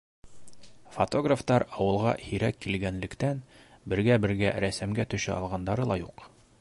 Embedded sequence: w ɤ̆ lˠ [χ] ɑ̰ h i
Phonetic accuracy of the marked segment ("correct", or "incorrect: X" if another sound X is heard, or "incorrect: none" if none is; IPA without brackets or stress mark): incorrect: ʁ